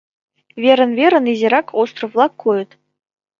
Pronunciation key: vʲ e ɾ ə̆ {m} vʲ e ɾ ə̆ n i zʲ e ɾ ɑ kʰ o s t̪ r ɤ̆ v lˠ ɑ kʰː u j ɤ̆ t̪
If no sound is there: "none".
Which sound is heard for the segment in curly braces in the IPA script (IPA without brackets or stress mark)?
n